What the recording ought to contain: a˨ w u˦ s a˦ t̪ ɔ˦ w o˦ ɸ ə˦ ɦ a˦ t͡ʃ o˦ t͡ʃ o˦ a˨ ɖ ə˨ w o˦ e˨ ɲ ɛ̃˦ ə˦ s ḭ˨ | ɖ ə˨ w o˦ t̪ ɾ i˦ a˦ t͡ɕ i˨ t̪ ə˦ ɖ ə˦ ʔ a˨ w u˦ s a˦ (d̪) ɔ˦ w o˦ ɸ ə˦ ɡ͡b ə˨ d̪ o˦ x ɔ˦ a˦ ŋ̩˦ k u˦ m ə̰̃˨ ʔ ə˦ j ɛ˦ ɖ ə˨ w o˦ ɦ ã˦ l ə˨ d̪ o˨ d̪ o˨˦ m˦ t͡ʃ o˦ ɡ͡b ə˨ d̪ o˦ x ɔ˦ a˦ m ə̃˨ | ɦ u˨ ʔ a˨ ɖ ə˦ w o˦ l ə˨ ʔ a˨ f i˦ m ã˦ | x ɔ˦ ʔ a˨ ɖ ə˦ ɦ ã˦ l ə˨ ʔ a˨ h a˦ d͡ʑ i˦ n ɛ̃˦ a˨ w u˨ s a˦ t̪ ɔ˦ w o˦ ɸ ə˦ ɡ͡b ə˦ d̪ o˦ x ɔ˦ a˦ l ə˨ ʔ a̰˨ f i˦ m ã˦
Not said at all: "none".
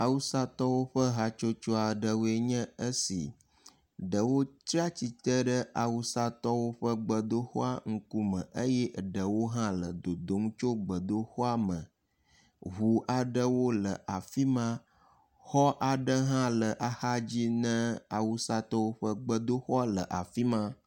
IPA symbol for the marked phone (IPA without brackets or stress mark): t̪